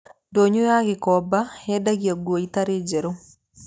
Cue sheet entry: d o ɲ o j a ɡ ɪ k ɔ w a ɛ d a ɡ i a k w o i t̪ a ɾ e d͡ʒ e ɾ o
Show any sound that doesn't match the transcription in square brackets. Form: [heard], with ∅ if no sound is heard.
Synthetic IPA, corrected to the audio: d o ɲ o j a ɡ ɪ k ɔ [b] a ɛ d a ɡ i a [ɡ] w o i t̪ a ɾ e d͡ʒ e ɾ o